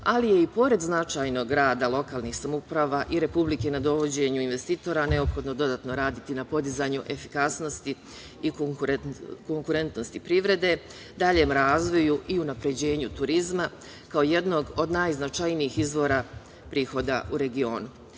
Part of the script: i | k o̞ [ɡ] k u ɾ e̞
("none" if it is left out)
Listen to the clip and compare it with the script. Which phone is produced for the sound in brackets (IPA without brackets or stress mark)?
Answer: ŋ